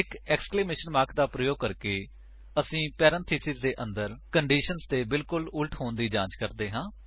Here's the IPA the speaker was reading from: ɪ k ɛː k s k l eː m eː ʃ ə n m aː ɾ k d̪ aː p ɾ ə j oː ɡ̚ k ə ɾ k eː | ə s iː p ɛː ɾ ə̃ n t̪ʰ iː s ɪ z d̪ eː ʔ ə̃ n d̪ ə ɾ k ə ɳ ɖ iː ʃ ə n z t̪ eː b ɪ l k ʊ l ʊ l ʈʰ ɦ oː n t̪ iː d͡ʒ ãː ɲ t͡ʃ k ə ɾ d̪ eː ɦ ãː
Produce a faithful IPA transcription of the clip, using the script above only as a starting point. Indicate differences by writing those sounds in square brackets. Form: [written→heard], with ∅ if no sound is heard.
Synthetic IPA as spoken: ɪ k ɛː k s k l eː m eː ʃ ə n m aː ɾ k d̪ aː p ɾ ə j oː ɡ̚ k ə ɾ k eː | ə s [iː→ĩː] p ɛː ɾ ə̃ n t̪ʰ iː s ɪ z d̪ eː ʔ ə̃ n d̪ ə ɾ k ə ɳ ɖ iː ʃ ə n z t̪ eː b ɪ l k ʊ l ʊ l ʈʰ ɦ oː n [t̪→d̪] iː d͡ʒ ãː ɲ t͡ʃ k ə ɾ d̪ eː ɦ ãː

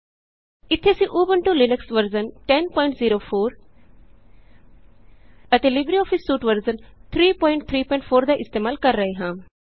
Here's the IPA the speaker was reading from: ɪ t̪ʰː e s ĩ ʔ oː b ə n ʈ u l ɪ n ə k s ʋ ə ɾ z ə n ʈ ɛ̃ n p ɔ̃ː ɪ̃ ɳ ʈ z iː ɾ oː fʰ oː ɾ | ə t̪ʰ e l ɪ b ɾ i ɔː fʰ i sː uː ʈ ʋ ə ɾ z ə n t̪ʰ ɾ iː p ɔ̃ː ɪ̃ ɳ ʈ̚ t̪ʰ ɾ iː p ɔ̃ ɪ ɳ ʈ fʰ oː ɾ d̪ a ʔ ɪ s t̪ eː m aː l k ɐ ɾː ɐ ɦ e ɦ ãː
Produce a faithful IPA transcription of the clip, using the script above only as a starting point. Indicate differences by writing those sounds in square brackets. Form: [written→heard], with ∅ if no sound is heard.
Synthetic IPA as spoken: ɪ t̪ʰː e s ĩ ʔ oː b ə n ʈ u l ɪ n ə k s ʋ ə ɾ z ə n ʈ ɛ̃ n p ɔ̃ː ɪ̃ ɳ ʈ z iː ɾ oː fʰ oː ɾ | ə [t̪ʰ→t̪] e l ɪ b ɾ i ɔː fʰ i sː uː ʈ ʋ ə ɾ z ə n t̪ʰ ɾ iː p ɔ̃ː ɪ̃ ɳ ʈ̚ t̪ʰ ɾ iː p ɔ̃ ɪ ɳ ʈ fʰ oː ɾ d̪ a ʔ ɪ s t̪ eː m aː l k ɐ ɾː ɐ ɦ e ɦ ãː

